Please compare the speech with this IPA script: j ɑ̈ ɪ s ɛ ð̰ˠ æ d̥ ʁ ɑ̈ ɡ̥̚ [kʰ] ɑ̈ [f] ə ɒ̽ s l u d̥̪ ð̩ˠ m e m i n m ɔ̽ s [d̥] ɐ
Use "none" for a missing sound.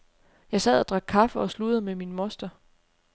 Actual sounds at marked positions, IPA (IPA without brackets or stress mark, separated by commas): kʰ, f, d̥